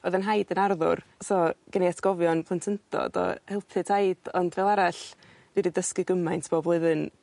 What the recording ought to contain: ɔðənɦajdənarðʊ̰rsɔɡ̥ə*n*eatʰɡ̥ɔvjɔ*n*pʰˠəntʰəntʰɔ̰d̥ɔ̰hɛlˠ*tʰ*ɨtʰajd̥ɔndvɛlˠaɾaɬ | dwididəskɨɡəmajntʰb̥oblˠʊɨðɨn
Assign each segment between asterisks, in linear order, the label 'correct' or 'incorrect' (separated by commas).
correct, correct, incorrect